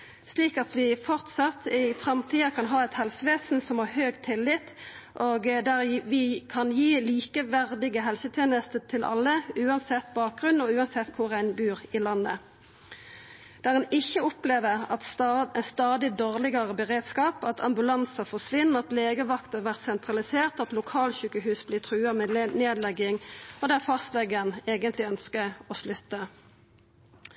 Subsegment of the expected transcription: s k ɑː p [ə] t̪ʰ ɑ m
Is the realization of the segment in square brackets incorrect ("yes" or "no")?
yes